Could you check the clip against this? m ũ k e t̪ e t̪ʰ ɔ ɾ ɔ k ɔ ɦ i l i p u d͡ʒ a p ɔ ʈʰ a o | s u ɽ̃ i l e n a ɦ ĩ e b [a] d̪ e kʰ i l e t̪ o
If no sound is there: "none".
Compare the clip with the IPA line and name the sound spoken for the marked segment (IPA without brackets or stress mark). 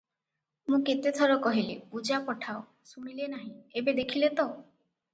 e